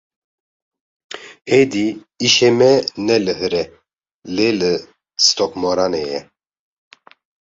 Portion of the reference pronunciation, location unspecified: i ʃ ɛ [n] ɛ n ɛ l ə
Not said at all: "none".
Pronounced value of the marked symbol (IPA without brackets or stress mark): m